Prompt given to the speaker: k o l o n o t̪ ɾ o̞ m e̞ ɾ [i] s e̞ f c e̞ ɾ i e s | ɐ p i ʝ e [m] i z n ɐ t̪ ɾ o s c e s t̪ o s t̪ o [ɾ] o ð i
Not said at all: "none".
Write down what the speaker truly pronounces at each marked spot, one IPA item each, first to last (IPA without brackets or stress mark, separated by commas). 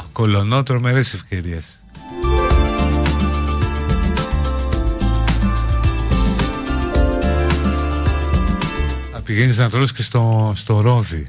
e, n, ɾ